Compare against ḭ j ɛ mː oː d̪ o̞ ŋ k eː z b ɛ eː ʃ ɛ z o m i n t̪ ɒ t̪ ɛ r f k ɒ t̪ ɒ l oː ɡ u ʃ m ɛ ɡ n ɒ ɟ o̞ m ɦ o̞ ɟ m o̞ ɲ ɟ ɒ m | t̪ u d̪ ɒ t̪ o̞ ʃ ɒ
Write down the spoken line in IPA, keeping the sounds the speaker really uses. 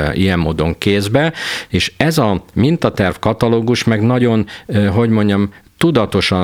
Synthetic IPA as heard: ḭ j ɛ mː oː d̪ o̞ ŋ k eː z b ɛ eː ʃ ɛ z ɒ m i n t̪ ɒ t̪ ɛ r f k ɒ t̪ ɒ l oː ɡ u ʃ m ɛ ɡ n ɒ ɟ o̞ n ɦ o̞ ɟ m o̞ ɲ ɟ ɒ m | t̪ u d̪ ɒ t̪ o̞ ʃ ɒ